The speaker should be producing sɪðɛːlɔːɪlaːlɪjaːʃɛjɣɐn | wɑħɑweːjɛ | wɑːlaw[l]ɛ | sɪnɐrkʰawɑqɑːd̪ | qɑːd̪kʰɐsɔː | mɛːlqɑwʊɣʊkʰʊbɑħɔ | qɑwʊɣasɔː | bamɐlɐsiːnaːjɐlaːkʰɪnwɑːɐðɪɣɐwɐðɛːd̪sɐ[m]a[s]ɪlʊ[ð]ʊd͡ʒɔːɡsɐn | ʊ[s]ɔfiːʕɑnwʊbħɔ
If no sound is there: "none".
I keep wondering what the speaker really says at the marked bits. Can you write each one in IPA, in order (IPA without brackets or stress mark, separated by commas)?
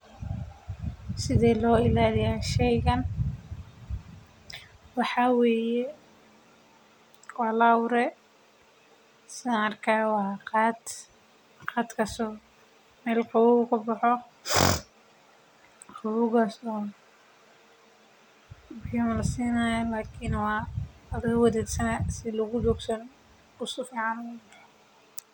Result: ɾ, n, s, ɣ, s